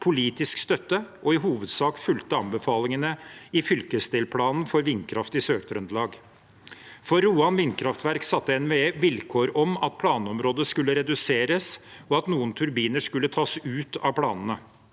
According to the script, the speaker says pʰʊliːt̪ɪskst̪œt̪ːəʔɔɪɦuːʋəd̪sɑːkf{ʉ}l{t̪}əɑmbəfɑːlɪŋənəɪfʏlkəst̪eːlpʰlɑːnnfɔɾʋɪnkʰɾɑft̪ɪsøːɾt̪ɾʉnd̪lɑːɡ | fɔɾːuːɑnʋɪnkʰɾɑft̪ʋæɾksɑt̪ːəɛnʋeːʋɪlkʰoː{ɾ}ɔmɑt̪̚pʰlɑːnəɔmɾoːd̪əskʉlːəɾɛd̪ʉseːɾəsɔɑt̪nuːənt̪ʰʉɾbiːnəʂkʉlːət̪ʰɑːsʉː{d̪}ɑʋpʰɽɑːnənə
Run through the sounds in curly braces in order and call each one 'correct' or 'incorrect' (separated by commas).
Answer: correct, correct, correct, incorrect